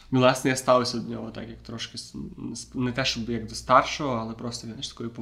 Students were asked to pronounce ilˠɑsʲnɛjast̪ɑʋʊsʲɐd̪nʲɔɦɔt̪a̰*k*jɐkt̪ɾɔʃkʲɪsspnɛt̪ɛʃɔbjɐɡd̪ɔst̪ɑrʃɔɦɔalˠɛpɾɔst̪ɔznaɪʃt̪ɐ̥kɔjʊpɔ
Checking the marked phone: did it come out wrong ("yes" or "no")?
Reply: no